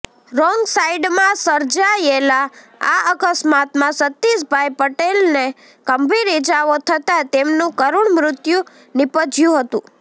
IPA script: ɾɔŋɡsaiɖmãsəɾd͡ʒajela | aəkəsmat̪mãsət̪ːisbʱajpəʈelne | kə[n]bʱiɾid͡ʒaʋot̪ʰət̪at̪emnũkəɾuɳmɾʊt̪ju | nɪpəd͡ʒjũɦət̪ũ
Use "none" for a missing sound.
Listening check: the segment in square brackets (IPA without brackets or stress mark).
m